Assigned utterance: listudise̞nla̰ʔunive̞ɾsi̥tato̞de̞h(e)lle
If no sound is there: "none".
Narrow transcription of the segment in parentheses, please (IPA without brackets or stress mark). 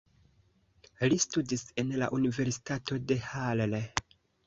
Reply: a